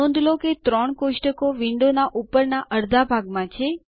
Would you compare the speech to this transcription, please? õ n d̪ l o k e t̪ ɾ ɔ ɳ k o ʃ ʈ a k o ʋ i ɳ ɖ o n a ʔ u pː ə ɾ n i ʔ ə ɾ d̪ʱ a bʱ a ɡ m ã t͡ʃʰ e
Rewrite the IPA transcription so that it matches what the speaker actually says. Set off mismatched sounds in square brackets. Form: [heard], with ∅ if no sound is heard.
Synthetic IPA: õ n d̪ l o k e t̪ ɾ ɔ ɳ k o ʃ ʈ [ə] k o ʋ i ɳ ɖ o n a ʔ u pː ə ɾ n [a] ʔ ə ɾ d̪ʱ a bʱ a ɡ m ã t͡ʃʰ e